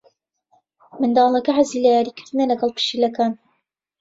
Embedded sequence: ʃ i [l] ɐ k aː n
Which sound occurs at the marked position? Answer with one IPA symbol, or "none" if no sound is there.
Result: l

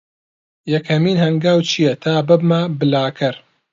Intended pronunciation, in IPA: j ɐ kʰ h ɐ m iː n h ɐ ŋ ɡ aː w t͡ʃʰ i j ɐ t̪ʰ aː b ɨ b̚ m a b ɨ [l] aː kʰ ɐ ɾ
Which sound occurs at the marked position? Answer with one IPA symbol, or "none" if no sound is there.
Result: l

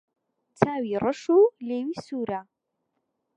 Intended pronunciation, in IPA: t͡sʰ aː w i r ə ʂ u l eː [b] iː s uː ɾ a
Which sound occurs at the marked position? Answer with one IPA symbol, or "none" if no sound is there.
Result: w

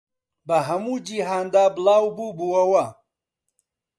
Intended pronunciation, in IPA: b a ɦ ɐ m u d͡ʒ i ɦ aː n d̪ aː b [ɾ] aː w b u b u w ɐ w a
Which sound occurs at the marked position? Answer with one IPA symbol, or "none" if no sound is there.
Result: l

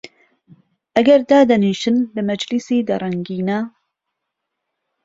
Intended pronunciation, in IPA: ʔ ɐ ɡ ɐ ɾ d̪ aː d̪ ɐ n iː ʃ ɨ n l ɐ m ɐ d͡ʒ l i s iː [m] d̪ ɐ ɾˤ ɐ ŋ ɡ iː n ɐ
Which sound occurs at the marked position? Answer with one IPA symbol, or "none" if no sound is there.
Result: none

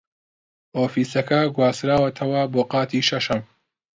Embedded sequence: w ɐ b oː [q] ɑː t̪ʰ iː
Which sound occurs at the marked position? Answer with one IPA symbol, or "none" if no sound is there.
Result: q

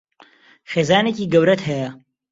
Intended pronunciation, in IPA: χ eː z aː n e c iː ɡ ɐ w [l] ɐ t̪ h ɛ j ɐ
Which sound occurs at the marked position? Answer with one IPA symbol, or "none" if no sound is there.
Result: ɾ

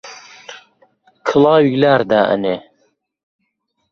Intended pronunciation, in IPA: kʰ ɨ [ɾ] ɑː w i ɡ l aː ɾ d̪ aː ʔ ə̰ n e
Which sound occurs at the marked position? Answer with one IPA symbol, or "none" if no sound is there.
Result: l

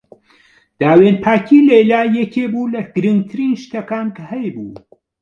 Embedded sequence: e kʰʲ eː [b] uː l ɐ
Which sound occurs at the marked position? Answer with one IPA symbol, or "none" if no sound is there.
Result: b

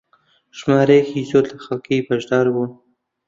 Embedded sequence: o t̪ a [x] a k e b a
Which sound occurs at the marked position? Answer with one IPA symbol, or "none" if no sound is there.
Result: x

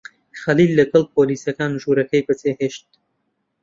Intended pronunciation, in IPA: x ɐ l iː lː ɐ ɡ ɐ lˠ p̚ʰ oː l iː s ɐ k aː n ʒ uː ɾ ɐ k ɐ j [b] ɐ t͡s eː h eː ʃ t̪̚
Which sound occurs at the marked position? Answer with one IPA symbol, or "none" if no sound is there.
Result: b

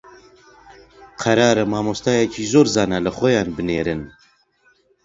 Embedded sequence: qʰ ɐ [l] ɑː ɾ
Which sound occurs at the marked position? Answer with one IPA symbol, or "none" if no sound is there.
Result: ɾ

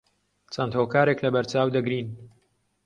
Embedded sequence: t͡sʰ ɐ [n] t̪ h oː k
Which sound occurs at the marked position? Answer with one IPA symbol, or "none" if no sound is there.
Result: n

